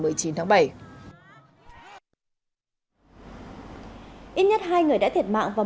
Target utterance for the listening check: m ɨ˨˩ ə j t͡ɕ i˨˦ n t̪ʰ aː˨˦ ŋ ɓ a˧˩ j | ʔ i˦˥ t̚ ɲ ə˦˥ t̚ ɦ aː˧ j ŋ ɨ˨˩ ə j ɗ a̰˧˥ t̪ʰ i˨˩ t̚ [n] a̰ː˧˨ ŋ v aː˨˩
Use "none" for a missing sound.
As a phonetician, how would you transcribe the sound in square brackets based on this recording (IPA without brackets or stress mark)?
m